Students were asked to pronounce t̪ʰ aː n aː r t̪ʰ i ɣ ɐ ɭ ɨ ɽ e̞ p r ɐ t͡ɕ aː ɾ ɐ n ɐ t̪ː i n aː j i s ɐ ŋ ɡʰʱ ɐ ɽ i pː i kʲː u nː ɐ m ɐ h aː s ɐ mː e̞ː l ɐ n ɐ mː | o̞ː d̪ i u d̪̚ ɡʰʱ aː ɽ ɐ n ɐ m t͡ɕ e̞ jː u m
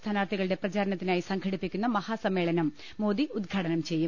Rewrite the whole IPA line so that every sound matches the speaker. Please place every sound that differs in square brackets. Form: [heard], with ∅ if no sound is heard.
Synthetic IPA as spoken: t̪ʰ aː n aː r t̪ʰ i ɣ ɐ ɭ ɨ ɽ e̞ p r ɐ t͡ɕ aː ɾ ɐ n ɐ t̪ː i n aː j i s ɐ ŋ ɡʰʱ ɐ ɽ i pː i kʲː u nː ɐ m ɐ h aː s ɐ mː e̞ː [ɭ] ɐ n ɐ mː | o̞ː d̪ i u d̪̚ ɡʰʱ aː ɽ ɐ n ɐ m t͡ɕ e̞ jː u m